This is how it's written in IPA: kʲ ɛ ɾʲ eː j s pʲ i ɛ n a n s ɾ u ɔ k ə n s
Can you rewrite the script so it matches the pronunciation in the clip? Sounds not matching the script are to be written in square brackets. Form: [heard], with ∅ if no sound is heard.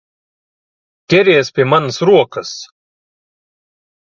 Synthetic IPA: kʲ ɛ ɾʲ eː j s pʲ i ɛ [m] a n s ɾ u ɔ k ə [∅] s